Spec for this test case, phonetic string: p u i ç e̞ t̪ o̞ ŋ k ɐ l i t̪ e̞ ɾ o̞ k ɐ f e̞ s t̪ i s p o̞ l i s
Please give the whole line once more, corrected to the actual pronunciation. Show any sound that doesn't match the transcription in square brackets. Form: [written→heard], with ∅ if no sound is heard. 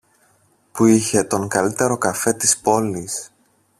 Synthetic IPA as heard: p u i ç e̞ t̪ o̞ ŋ k ɐ l i t̪ e̞ ɾ o̞ k ɐ f e̞ [s→∅] t̪ i s p o̞ l i s